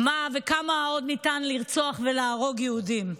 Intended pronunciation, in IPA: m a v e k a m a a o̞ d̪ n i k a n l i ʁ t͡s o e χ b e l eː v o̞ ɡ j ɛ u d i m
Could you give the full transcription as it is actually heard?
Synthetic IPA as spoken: m a v e k a m a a o̞ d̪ n i t a n l i ʁ t͡s o a χ v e l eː ʁ o̞ ɡ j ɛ u d i m